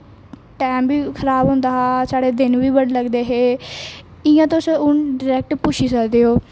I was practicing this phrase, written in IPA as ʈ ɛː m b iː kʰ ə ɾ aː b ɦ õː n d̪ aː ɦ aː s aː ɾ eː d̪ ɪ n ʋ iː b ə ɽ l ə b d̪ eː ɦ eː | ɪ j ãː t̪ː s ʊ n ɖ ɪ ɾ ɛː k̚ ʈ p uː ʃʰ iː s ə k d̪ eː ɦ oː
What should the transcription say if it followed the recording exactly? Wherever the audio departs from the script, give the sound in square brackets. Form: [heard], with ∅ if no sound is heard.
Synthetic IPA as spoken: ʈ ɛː m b iː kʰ ə ɾ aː b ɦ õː n d̪ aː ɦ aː s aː [ɽ] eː d̪ ɪ n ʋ iː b ə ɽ l ə [ɡ] d̪ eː ɦ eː | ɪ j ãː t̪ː s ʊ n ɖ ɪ ɾ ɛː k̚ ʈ p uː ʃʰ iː s ə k d̪ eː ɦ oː